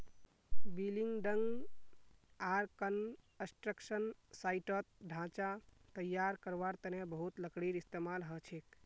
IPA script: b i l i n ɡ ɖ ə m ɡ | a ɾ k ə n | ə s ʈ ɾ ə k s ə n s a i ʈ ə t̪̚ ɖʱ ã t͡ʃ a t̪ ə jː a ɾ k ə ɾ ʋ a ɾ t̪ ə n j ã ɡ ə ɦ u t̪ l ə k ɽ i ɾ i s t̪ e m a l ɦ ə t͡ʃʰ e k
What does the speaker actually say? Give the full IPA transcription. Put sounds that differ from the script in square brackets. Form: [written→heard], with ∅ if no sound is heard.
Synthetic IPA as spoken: b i l i [n→ŋ] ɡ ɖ ə [m→ŋ] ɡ | a ɾ k ə n | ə s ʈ ɾ ə k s ə n s a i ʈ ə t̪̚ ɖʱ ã t͡ʃ a t̪ ə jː a ɾ k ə ɾ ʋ a ɾ t̪ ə n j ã [ɡ→b] ə ɦ u t̪ l ə k ɽ i ɾ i s t̪ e m a l ɦ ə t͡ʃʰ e k